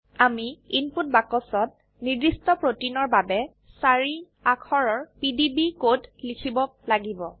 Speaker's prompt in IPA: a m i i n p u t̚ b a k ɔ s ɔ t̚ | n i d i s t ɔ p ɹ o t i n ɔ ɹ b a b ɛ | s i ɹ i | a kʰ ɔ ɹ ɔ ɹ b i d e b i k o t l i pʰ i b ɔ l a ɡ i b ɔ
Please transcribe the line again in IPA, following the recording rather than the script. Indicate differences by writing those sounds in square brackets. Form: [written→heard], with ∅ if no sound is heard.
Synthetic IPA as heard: a m i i n p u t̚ b a k ɔ s ɔ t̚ | n i d i s t ɔ p ɹ o t i n ɔ ɹ b a b ɛ | s [i→a] ɹ i | a kʰ ɔ ɹ ɔ ɹ [b→p] i d [e→i] b i k o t l i [pʰ→kʰ] i b ɔ l a ɡ i b ɔ

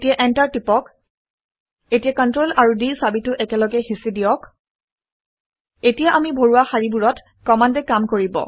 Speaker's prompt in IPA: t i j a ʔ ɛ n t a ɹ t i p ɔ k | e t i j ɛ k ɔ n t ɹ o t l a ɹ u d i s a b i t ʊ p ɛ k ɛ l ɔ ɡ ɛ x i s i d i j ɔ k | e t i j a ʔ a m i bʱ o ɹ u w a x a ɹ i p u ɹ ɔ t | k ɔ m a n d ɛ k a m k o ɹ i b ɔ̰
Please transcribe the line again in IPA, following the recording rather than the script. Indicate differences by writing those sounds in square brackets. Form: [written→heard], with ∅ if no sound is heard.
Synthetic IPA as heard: t i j a ʔ ɛ n t a ɹ t i p ɔ k | e t i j [ɛ→a] k ɔ n t ɹ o [t→∅] l a ɹ u d i s a b i t ʊ [p→ʔ] ɛ k ɛ l ɔ ɡ ɛ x i s i d i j ɔ k | e t i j a ʔ a m i bʱ o ɹ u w a x a ɹ i [p→b] u ɹ ɔ t | k ɔ m a n d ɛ k a m k o ɹ i b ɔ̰

